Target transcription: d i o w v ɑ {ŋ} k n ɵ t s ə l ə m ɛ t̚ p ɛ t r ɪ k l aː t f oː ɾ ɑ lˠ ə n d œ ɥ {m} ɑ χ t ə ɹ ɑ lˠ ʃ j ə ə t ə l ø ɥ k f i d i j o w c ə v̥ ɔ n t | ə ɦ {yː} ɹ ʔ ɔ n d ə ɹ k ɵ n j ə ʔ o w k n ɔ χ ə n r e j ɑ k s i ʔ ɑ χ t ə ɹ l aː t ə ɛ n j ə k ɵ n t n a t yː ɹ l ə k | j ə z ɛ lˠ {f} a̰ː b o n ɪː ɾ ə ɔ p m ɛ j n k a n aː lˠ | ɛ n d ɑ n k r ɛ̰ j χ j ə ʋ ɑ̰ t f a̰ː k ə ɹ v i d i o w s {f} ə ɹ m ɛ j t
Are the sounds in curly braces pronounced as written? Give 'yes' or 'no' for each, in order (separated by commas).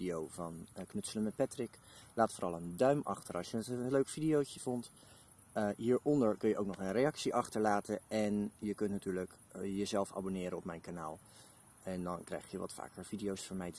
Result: no, yes, no, yes, yes